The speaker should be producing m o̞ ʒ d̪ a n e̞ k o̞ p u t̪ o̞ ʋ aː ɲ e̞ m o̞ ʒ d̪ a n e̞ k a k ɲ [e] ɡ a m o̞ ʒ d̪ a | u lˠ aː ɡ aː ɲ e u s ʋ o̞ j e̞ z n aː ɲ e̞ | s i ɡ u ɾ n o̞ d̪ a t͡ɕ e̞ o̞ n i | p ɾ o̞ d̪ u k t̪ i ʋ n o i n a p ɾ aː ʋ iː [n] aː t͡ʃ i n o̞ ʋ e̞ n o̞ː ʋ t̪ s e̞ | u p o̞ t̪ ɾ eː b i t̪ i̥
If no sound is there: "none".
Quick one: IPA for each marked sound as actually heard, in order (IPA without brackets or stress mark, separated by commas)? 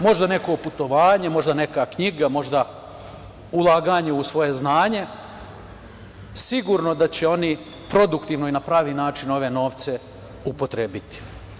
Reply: i, n